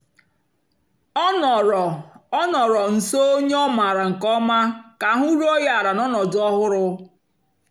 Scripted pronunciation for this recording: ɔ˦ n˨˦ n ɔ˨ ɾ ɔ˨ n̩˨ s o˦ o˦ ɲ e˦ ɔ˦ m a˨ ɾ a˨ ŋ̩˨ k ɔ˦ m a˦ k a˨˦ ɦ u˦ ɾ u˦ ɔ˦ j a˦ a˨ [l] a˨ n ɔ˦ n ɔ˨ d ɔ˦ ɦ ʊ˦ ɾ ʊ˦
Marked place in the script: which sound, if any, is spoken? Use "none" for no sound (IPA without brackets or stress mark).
ɾ